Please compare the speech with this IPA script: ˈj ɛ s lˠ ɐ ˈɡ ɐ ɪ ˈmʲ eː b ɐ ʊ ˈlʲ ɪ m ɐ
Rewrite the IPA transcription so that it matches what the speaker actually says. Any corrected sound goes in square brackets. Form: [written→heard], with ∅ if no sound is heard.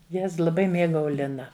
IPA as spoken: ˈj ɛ s lˠ ɐ [ˈɡ→ˈb] ɐ ɪ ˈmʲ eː [b→ɡ] ɐ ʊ ˈlʲ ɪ [m→n] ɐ